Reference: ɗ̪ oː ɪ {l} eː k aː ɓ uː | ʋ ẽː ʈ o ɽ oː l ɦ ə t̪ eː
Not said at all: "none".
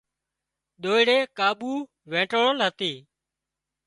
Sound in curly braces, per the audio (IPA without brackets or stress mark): ɽ